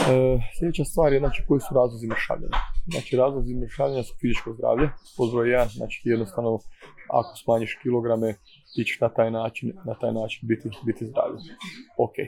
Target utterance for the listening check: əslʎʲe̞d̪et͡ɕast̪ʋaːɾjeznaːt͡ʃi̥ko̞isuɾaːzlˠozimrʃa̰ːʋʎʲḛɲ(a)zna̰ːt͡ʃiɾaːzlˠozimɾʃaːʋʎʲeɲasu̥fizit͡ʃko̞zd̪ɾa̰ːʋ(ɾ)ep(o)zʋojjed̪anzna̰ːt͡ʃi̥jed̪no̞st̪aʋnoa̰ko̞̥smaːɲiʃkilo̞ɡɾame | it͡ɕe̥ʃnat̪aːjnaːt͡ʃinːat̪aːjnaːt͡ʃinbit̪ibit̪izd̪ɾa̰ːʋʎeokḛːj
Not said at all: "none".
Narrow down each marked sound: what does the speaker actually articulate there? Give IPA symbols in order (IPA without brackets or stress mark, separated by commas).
a, ʎ, o